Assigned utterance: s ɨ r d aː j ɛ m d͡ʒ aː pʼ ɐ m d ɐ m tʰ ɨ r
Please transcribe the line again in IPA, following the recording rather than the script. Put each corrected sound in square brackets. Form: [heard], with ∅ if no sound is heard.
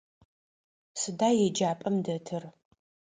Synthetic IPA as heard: s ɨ [∅] d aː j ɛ [∅] d͡ʒ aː pʼ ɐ m d ɐ [∅] tʰ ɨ r

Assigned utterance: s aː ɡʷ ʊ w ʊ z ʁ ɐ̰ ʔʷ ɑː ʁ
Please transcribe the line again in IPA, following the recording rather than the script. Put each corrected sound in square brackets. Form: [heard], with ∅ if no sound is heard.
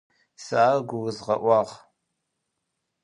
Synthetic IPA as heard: s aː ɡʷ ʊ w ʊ z ʁ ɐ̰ ʔʷ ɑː ʁ

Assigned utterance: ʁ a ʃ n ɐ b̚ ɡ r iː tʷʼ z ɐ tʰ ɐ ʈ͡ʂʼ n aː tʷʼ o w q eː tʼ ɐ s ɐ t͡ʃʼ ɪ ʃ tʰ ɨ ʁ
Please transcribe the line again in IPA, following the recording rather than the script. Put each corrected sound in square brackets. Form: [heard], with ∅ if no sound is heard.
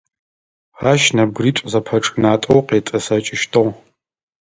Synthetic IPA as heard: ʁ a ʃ n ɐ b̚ ɡ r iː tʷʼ z ɐ [pʰ] ɐ ʈ͡ʂʼ n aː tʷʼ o w q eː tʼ ɐ s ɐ t͡ʃʼ ɪ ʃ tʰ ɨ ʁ

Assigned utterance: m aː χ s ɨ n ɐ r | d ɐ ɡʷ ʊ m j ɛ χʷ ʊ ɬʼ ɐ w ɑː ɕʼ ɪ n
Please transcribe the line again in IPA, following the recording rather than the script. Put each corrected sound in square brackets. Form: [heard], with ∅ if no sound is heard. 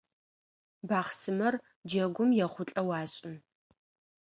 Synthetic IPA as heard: [b] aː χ s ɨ [m] ɐ r | [d͡ʒ] ɐ ɡʷ ʊ m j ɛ χʷ ʊ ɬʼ ɐ w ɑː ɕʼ ɪ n

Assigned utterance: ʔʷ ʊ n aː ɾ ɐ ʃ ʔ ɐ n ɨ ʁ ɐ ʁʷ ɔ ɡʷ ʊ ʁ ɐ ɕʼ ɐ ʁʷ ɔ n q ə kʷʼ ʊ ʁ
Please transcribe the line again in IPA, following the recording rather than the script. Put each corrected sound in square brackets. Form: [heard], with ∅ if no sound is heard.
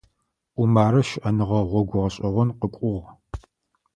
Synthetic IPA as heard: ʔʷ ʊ [m] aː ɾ ɐ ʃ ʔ ɐ n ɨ ʁ ɐ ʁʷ ɔ ɡʷ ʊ ʁ ɐ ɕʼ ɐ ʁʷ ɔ n q ə kʷʼ ʊ ʁ

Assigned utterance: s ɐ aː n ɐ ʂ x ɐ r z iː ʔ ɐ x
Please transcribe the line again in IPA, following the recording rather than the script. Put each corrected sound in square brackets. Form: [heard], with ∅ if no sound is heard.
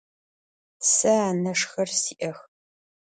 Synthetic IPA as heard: s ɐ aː n ɐ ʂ x ɐ r [s] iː ʔ ɐ x

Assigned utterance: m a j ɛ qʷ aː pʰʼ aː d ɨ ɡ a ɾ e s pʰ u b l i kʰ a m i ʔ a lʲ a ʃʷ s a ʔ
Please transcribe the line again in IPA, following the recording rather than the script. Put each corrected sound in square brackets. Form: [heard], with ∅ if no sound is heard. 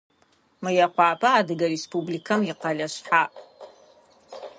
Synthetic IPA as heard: m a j [a] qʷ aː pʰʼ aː d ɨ ɡ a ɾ e s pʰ u b l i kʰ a m i [q] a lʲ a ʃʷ [ħ] a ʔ

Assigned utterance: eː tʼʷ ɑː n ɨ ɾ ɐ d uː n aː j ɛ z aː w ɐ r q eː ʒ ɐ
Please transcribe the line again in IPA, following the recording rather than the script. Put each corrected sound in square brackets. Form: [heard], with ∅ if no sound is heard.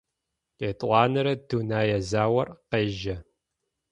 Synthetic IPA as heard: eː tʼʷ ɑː n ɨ ɾ ɐ d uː n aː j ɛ z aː w ɐ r q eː ʒ ɐ

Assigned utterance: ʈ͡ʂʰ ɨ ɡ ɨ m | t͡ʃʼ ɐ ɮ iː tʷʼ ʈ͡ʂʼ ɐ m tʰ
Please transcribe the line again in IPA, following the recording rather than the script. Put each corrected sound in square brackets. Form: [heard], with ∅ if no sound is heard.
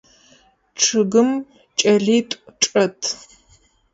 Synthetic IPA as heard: ʈ͡ʂʰ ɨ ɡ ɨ m | t͡ʃʼ ɐ ɮ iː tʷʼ ʈ͡ʂʼ ɐ [∅] tʰ

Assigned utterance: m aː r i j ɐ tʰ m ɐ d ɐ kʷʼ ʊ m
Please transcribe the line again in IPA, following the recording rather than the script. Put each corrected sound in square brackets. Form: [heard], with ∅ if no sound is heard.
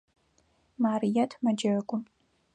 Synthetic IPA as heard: m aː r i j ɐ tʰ m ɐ [d͡ʒ] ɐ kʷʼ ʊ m

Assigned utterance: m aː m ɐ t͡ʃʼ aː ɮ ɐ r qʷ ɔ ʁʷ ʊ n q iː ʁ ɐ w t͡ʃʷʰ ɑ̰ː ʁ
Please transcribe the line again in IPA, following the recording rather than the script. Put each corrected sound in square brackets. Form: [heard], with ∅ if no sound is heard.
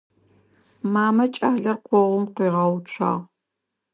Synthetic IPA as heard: m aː m ɐ t͡ʃʼ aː ɮ ɐ r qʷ ɔ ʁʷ ʊ [m] q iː ʁ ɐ w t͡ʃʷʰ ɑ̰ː ʁ

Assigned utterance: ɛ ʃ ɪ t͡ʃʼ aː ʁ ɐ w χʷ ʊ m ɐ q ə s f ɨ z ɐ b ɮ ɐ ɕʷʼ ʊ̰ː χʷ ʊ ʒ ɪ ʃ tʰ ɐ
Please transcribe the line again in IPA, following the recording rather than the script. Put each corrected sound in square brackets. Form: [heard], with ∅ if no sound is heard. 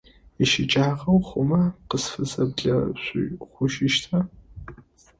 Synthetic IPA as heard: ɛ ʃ ɪ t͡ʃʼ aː ʁ ɐ w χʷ ʊ m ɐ q ə s f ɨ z ɐ b ɮ ɐ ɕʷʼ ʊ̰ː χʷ ʊ [ʃ] ɪ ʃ tʰ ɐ

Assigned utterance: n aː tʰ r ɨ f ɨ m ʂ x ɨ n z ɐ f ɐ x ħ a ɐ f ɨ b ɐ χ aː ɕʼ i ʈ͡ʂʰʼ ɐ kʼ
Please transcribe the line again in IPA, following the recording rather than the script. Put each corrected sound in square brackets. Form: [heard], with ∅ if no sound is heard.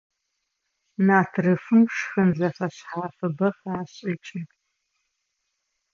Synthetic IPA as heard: n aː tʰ r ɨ f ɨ m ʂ x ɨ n z ɐ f ɐ [ɕ] ħ a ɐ f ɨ b ɐ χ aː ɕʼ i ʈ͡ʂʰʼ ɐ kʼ

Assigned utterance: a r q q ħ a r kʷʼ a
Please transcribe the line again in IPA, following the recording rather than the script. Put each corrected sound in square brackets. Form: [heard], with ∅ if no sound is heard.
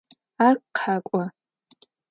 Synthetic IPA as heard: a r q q ħ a [∅] kʷʼ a

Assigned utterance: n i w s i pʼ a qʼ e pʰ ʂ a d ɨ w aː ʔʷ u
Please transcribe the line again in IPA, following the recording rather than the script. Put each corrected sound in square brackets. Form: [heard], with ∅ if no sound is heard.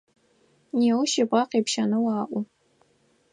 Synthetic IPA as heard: n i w [ʃ] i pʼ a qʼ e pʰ [ʃ] a [n] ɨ w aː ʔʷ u

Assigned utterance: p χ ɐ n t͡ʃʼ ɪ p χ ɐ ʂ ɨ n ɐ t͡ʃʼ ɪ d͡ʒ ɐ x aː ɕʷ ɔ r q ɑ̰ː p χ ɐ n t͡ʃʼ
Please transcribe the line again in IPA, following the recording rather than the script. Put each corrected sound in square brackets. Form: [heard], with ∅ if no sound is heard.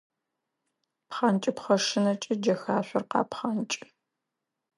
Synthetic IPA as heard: p χ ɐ n t͡ʃʼ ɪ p χ ɐ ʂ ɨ n ɐ t͡ʃʼ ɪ d͡ʒ ɐ x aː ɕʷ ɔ r q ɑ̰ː p χ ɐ n t͡ʃʼ

